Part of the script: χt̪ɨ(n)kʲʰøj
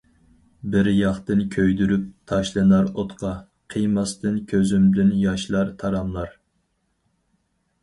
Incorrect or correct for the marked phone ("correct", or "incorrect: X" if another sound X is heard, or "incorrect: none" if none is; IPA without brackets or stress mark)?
correct